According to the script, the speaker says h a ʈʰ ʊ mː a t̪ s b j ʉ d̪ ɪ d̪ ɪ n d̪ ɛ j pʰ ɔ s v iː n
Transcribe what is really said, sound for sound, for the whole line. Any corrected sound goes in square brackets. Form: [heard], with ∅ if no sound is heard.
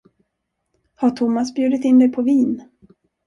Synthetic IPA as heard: h a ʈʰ ʊ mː a [∅] s b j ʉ d̪ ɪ [t̪] ɪ n d̪ ɛ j pʰ ɔ [∅] v iː n

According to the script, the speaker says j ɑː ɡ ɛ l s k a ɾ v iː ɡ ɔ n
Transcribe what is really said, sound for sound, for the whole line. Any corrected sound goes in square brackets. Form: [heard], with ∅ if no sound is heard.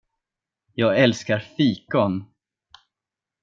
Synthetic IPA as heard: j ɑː ɡ ɛ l s k a ɾ [f] iː [k] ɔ n

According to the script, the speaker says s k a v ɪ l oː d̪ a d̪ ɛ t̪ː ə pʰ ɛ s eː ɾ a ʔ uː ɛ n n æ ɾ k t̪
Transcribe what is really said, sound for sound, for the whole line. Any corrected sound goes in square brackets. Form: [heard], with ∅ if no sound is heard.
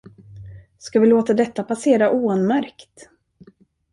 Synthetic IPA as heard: s k a v ɪ l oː [t̪] a d̪ ɛ t̪ː [a] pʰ [a] s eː ɾ a ʔ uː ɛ n [m] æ ɾ k t̪

